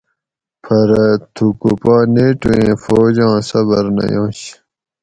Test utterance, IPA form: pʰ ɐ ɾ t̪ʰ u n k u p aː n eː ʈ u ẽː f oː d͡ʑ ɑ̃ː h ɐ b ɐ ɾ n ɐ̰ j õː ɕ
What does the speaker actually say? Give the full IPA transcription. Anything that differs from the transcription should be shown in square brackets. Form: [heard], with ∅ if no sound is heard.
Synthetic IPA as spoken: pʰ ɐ ɾ t̪ʰ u [∅] k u p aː n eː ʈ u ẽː f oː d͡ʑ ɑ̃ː [s] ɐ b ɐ ɾ n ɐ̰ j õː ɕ